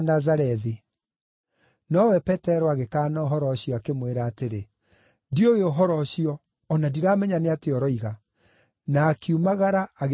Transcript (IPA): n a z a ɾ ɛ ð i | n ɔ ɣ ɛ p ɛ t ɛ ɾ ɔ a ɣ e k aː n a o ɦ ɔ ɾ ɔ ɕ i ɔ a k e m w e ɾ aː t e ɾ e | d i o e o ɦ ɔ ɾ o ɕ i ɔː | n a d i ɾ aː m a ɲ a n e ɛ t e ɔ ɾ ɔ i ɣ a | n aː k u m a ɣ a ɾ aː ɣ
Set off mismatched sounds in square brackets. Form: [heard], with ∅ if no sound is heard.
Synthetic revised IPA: n a z a ɾ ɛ ð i | n ɔ [w] ɛ p ɛ t ɛ ɾ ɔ a ɣ e k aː n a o ɦ ɔ ɾ ɔ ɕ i ɔ a k e m w e ɾ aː t e ɾ e | d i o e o ɦ ɔ ɾ [ɔ] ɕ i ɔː | n a d i ɾ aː m [ɛ] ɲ a n e [a] t e ɔ ɾ ɔ i ɣ a | n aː k u m a ɣ a ɾ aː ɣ